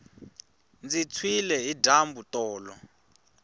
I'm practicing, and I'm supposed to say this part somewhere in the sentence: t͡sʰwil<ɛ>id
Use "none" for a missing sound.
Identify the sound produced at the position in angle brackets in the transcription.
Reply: ɛ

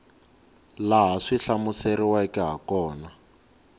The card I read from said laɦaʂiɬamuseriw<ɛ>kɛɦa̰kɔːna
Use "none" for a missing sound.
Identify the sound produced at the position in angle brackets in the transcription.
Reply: a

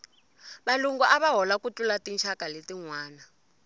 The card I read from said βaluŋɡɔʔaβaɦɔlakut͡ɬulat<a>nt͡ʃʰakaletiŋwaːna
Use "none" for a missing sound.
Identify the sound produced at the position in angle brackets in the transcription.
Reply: i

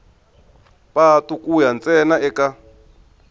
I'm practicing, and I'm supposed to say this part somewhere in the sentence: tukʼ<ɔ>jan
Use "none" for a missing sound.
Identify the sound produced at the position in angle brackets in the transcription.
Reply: u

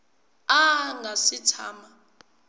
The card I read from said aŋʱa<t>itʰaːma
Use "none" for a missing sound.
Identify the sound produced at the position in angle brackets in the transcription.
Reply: s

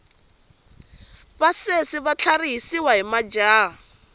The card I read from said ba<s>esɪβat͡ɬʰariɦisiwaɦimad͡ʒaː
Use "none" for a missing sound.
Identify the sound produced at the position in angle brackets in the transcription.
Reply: s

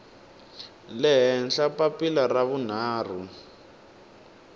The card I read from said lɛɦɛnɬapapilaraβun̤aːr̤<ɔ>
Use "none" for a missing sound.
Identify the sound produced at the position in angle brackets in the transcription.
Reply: u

